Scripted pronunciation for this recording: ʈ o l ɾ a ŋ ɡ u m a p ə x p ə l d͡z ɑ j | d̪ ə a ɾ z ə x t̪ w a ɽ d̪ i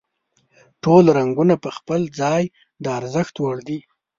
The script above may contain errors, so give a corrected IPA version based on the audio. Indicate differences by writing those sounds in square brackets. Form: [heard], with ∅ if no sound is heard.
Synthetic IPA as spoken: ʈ o l ɾ a ŋ ɡ u [n] a p ə x p ə l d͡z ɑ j | d̪ ə a ɾ z ə x t̪ w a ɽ d̪ i

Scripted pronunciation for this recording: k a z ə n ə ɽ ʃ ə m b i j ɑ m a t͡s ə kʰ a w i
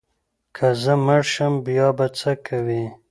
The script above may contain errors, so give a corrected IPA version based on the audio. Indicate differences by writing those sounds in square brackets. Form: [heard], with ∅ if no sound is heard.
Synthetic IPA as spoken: [kʰ] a z ə [m] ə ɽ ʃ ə m b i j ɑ [b] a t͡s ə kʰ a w i

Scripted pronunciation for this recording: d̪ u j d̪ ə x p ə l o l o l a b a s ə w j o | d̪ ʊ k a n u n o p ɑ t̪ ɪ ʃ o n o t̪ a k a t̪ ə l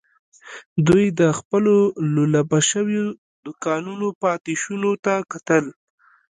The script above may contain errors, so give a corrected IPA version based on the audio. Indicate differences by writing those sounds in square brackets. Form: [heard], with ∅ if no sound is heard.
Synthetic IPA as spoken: d̪ u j d̪ ə x p ə l o l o l a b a [ʃ] ə w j o | d̪ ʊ k [ɑ] n u n o p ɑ t̪ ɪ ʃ [u] n o t̪ a k a t̪ ə l

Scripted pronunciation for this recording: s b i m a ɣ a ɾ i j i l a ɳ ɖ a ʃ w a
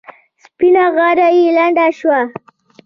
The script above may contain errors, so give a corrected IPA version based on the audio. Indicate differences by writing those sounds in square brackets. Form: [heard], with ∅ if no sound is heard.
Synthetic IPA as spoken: s [p] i [n] a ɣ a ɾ [a] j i l a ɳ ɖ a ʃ w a

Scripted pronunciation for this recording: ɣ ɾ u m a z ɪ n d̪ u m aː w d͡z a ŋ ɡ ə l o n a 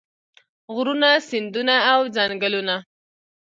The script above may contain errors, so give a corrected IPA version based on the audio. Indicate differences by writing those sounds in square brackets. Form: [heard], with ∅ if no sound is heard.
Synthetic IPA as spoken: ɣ ɾ u [n] a [s] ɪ n d̪ u [n] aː w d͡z a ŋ ɡ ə l [u] n a

